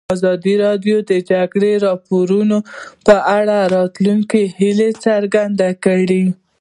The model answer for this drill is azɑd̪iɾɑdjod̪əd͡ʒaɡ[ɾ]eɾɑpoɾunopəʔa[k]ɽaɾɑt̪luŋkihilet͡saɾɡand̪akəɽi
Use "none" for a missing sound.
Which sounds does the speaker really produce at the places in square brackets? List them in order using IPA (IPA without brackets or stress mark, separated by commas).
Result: ɽ, none